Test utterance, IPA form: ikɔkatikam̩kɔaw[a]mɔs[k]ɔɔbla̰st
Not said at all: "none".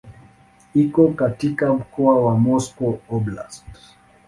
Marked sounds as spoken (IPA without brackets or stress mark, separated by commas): a, k